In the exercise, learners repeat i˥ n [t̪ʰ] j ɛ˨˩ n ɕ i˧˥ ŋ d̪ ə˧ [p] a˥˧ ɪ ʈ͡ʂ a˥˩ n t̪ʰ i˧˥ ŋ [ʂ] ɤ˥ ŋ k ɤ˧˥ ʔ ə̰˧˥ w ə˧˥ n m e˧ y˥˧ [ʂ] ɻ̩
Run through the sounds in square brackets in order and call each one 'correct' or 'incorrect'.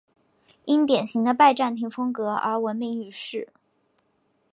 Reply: incorrect: t̪, correct, incorrect: f, correct

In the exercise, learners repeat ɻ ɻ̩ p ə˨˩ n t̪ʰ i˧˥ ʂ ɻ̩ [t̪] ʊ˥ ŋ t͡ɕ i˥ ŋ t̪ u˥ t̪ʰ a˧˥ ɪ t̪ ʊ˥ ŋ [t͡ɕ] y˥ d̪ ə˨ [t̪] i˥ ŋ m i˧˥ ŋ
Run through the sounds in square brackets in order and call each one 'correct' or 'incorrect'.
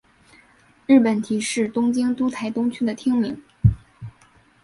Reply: correct, incorrect: t͡ɕʰ, incorrect: t̪ʰ

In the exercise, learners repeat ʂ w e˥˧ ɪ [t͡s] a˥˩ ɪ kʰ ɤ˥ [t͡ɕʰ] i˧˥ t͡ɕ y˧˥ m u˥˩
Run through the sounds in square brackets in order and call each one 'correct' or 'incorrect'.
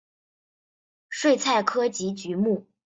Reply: incorrect: t͡sʰ, incorrect: t͡ɕ

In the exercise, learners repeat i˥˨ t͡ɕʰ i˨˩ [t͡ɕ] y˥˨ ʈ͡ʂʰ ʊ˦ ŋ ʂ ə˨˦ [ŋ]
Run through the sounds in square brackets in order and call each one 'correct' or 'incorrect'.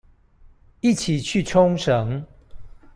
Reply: incorrect: t͡ɕʰ, correct

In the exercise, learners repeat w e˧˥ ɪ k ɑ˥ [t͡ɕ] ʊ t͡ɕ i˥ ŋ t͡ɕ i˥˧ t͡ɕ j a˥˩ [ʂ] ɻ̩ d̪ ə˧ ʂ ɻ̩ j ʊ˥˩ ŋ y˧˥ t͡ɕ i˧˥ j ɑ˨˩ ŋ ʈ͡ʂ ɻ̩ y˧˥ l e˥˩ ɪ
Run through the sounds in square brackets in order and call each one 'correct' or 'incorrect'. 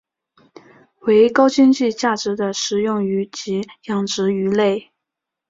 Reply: incorrect: none, incorrect: ʈ͡ʂ

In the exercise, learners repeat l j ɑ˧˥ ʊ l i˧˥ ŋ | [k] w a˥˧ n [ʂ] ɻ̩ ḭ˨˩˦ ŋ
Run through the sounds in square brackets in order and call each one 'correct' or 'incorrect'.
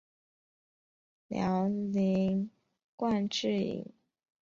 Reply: correct, incorrect: ʈ͡ʂ

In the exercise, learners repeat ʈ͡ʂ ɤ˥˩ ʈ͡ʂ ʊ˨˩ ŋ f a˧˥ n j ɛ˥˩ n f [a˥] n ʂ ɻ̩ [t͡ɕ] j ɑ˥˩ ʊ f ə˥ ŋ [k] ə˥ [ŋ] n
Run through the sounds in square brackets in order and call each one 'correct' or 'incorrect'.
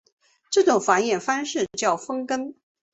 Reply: correct, correct, correct, incorrect: none

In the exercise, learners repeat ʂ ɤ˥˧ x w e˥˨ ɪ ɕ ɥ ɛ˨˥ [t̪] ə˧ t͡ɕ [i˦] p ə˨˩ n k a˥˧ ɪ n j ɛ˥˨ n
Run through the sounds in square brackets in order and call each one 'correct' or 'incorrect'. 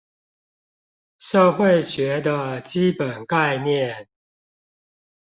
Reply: incorrect: d̪, correct

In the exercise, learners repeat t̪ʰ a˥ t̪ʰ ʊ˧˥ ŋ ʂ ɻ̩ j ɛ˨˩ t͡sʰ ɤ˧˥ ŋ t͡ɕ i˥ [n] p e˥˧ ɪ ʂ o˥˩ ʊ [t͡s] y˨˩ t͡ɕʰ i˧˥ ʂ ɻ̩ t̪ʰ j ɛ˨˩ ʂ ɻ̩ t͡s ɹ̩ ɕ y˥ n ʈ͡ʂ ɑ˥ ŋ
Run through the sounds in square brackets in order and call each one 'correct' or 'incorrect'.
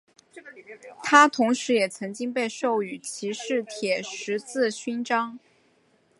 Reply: incorrect: ŋ, incorrect: none

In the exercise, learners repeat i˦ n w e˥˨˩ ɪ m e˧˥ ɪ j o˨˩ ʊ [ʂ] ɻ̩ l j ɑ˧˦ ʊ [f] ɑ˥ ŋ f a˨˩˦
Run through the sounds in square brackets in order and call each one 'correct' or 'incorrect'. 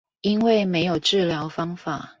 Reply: incorrect: ʈ͡ʂ, correct

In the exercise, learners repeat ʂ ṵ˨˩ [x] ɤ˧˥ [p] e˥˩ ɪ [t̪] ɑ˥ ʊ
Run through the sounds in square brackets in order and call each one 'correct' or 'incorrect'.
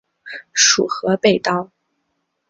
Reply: correct, correct, correct

